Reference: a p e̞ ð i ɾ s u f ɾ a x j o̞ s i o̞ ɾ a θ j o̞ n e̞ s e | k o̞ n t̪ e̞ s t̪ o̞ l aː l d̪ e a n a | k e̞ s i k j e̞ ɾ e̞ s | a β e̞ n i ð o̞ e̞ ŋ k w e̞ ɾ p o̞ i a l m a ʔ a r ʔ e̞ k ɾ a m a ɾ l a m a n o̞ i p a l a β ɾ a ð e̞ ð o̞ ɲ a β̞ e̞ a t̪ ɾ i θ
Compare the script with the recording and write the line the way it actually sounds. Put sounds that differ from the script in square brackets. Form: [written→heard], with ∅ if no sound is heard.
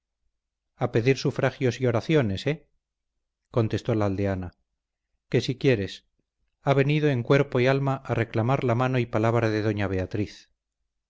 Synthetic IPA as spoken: a p e̞ ð i ɾ s u f ɾ a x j o̞ s i o̞ ɾ a θ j o̞ n e̞ s e | k o̞ n t̪ e̞ s t̪ o̞ l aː l d̪ e a n a | k e̞ s i k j e̞ ɾ e̞ s | a β e̞ n i ð o̞ e̞ ŋ k w e̞ ɾ p o̞ i a l m a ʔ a r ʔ e̞ k [ɾ→l] a m a ɾ l a m a n o̞ i p a l a β ɾ a ð e̞ ð o̞ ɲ a β̞ e̞ a t̪ ɾ i θ

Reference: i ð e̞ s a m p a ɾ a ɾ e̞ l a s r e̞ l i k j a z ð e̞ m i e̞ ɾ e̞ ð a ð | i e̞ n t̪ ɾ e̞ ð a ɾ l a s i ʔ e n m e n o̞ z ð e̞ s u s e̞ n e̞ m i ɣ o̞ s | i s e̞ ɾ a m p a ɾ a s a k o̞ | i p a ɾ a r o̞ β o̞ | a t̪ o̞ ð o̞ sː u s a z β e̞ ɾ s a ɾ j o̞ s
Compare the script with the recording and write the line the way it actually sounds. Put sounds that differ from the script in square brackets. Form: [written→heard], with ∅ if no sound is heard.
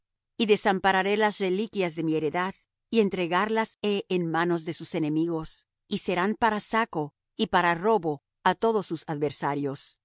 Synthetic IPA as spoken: i ð e̞ s a m p a ɾ a ɾ e̞ l a s r e̞ l i k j a z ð e̞ m i e̞ ɾ e̞ ð a ð | i e̞ n t̪ ɾ e̞ [ð→ɣ] a ɾ l a s [i→e] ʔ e n m [e→a] n o̞ z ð e̞ s u s e̞ n e̞ m i ɣ o̞ s | i s e̞ ɾ a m p a ɾ a s a k o̞ | i p a ɾ a r o̞ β o̞ | a t̪ o̞ ð o̞ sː u s a [z→ð] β e̞ ɾ s a ɾ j o̞ s

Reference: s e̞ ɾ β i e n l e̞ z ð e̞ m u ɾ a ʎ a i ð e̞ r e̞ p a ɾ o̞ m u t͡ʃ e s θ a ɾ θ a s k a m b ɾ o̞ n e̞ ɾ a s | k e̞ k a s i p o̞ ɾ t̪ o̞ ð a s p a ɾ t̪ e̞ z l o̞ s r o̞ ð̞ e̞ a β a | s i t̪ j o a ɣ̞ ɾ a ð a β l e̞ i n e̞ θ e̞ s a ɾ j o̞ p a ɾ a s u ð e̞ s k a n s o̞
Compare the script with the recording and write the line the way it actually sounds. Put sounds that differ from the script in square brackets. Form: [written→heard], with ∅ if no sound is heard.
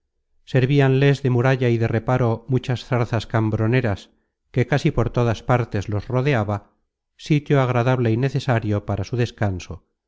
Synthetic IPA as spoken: s e̞ ɾ β i [e→a] n l e̞ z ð e̞ m u ɾ a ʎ a i ð e̞ r e̞ p a ɾ o̞ m u t͡ʃ [e→a] s θ a ɾ θ a s k a m b ɾ o̞ n e̞ ɾ a s | k e̞ k a s i p o̞ ɾ t̪ o̞ ð a s p a ɾ t̪ e̞ z l o̞ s r o̞ ð̞ e̞ a β a | s i t̪ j o a ɣ̞ ɾ a ð a β l e̞ i n e̞ θ e̞ s a ɾ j o̞ p a ɾ a s u ð e̞ s k a n s o̞

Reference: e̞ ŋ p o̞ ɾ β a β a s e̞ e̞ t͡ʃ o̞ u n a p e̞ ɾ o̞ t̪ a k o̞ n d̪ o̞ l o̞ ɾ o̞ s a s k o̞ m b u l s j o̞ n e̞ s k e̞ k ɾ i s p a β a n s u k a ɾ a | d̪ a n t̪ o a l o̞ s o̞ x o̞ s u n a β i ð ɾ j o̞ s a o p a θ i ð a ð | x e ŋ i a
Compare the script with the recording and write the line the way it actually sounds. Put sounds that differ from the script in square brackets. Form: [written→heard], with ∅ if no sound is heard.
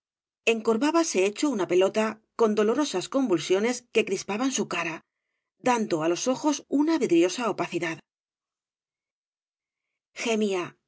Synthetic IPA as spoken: e̞ ŋ [p→k] o̞ ɾ β a β a s e̞ e̞ t͡ʃ o̞ u n a p e̞ [ɾ→l] o̞ t̪ a k o̞ n d̪ o̞ l o̞ ɾ o̞ s a s k o̞ m b u l s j o̞ n e̞ s k e̞ k ɾ i s p a β a n s u k a ɾ a | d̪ a n [t̪→d̪] o a l o̞ s o̞ x o̞ s u n a β i ð ɾ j o̞ s a o p a θ i ð a ð | x e [ŋ→m] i a

